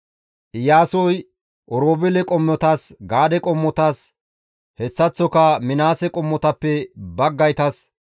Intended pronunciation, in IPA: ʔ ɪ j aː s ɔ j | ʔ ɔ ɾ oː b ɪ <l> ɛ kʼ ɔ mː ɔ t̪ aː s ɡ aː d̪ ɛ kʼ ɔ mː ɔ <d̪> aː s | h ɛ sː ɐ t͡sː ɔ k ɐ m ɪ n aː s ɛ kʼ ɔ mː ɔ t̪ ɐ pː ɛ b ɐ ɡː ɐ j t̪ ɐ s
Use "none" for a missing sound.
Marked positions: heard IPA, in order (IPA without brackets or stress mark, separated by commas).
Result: l, t̪